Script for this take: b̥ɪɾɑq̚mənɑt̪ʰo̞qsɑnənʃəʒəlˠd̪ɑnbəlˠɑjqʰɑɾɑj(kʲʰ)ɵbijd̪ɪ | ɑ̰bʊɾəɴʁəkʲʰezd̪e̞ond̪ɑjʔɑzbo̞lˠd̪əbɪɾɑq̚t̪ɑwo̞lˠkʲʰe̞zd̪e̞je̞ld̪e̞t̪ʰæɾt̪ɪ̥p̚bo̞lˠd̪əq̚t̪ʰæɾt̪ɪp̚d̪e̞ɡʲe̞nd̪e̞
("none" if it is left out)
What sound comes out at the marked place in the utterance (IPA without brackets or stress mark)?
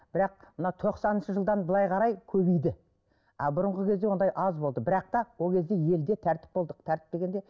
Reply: kʲʰ